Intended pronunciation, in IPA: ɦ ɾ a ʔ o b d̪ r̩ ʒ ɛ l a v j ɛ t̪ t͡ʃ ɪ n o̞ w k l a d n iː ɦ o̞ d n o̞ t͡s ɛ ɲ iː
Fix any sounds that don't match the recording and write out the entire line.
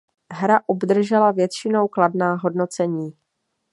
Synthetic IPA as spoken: ɦ ɾ a ʔ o b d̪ r̩ ʒ ɛ l a v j ɛ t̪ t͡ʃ ɪ n o̞ w k l a d n aː ɦ o̞ d n o̞ t͡s ɛ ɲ iː